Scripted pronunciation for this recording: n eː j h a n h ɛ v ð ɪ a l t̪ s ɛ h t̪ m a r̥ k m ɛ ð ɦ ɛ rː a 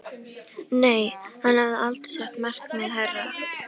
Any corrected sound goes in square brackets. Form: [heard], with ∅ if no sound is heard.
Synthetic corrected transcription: n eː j h a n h [a] v ð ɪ a l t̪ s ɛ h t̪ m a r̥ k m ɛ ð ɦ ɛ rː a

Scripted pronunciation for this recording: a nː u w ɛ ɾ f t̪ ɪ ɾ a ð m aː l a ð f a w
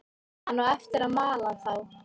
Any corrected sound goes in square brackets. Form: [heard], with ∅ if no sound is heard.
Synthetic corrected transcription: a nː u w ɛ [∅] f t̪ ɪ ɾ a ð m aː l a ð [θ] a w

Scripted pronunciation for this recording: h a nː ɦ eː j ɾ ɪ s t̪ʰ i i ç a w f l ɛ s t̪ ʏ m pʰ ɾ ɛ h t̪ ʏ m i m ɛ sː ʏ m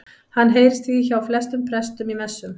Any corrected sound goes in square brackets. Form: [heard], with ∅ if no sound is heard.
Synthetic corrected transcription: h a nː ɦ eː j ɾ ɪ s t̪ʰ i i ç a w f l ɛ s t̪ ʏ m pʰ ɾ ɛ [s] t̪ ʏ m i m ɛ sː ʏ m

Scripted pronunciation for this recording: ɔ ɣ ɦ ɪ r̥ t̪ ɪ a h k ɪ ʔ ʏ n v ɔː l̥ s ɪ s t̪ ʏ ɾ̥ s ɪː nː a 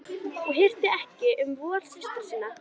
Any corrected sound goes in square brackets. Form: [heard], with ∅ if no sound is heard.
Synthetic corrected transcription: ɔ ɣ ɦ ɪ r̥ t̪ ɪ [ɛ] h [c] ɪ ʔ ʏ [m] v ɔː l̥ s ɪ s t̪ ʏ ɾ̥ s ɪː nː a

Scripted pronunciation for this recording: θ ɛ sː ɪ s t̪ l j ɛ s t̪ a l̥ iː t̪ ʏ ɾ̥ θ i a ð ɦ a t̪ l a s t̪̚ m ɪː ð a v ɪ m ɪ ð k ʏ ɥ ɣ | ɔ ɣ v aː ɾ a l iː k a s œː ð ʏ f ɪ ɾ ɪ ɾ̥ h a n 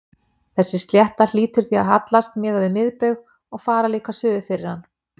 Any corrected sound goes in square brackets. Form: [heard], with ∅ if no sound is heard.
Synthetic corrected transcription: θ ɛ sː ɪ s t̪ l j ɛ [h] t̪ a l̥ iː t̪ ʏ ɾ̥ θ i a ð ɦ a t̪ l a s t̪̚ m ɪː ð a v ɪ m ɪ ð [p] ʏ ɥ ɣ | ɔ ɣ [f] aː ɾ a l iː k a s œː ð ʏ f ɪ ɾ ɪ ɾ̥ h a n

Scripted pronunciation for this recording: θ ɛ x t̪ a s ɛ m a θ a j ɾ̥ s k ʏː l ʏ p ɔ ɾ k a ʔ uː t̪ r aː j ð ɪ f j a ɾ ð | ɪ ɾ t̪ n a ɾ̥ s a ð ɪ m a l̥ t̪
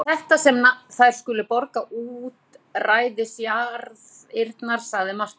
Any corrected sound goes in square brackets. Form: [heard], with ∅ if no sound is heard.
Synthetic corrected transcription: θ ɛ [h] t̪ a s ɛ m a θ a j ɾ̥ s k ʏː l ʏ p ɔ ɾ k a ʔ uː t̪ r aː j ð ɪ [s] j a ɾ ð | ɪ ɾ t̪ n a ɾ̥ s a ð ɪ m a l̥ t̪

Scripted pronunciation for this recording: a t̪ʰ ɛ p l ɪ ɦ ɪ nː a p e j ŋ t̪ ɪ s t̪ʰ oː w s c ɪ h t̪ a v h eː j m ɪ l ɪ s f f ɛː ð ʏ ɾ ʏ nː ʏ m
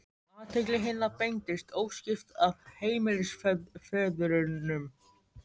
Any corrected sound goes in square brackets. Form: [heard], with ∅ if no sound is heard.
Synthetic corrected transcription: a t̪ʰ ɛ [k] l ɪ ɦ ɪ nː a p e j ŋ t̪ ɪ s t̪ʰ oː w s c ɪ [f] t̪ a v h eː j m ɪ l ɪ s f f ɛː ð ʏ ɾ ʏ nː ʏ m

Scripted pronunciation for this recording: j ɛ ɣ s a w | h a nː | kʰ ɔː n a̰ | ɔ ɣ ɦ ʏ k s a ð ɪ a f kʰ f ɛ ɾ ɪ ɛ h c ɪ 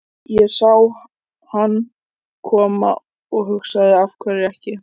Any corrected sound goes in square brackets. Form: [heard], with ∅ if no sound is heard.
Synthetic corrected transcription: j ɛ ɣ s a w | h a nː | kʰ ɔː [m] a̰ | ɔ ɣ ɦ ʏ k s a ð ɪ a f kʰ [v] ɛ ɾ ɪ ɛ h c ɪ

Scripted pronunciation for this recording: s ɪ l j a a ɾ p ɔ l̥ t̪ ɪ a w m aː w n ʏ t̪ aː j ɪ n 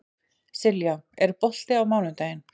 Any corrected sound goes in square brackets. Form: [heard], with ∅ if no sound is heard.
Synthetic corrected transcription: s ɪ l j a [ɛ] ɾ p ɔ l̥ t̪ ɪ a w m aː w n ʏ t̪ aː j ɪ n

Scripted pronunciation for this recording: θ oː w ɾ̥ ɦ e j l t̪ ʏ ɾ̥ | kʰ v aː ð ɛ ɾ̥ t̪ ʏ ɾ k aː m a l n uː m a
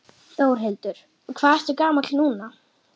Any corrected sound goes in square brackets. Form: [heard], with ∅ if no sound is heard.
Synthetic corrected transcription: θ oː w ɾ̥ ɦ e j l t̪ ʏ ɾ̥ | kʰ v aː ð ɛ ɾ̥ t̪ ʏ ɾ k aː m a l n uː [n] a

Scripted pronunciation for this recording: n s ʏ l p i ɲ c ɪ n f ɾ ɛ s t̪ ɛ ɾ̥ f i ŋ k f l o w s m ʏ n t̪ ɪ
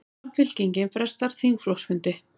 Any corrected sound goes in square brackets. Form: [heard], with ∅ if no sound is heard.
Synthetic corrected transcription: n [f] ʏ l [c] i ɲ c ɪ n f ɾ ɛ s t̪ [a] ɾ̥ [θ] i ŋ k f l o w s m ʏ n t̪ ɪ

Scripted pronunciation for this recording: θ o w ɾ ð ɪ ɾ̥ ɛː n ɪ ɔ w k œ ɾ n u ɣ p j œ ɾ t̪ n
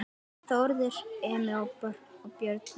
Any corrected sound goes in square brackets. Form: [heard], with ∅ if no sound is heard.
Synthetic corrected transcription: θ o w ɾ ð ɪ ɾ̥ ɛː [m] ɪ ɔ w [p] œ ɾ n [ɔ] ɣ p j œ ɾ t̪ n

